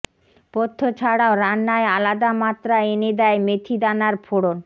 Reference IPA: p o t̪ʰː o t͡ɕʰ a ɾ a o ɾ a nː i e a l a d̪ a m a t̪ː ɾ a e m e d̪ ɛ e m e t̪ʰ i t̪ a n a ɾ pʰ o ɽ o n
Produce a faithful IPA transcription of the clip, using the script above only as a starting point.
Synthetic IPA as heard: p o t̪ʰː o t͡ɕʰ a ɽ a o ɾ a nː a e a l a d̪ a m a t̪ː ɾ a e n e d̪ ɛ e m e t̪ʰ i d̪ a n a ɾ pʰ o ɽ o n